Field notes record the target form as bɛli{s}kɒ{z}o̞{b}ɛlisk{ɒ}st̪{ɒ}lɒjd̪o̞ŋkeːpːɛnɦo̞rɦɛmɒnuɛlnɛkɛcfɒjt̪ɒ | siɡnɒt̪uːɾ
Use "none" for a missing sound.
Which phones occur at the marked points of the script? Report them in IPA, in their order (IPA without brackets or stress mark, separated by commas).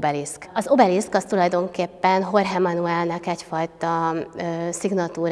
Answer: s, z, b, ɒ, u